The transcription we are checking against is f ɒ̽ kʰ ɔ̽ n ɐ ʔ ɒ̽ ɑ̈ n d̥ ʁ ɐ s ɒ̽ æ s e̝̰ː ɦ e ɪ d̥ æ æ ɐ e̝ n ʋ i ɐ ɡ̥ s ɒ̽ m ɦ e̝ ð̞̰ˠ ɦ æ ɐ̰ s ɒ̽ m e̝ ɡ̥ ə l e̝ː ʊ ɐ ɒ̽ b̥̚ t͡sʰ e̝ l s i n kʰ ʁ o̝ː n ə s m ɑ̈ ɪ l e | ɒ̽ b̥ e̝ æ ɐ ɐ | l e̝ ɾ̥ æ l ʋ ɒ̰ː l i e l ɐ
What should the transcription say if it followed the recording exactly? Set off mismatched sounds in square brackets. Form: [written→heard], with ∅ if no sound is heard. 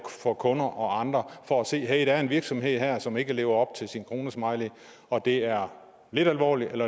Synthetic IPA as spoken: f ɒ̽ kʰ ɔ̽ n ɐ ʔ ɒ̽ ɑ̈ n d̥ ʁ ɐ [s→f] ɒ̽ æ s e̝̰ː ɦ e ɪ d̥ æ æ ɐ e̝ n ʋ i ɐ ɡ̥ s ɒ̽ m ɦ e̝ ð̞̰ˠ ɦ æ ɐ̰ s ɒ̽ m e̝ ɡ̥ ə l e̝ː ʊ ɐ ɒ̽ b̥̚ t͡sʰ e̝ l s i n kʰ ʁ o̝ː n ə s m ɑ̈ ɪ l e | ɒ̽ [b̥→d̥] e̝ æ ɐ ɐ | l e̝ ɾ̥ æ l ʋ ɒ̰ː l i e l ɐ